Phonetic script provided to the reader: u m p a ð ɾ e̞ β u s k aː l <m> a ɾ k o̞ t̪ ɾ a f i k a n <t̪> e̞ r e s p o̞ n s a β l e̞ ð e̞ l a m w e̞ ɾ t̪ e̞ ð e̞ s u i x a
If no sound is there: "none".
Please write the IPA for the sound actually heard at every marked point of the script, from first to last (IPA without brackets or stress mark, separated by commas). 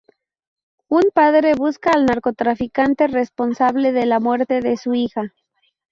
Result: n, t̪